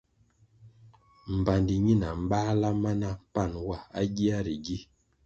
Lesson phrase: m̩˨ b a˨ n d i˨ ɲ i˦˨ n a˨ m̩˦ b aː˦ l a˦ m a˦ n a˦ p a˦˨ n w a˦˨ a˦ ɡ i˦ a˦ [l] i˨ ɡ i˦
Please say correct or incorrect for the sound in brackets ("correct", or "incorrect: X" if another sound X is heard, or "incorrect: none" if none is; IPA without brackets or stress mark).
incorrect: ɾ